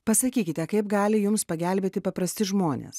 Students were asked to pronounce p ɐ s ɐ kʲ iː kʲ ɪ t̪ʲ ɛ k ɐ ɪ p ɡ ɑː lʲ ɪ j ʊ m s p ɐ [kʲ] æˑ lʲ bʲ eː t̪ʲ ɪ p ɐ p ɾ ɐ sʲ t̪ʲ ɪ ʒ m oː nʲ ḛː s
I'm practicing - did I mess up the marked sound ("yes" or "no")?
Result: yes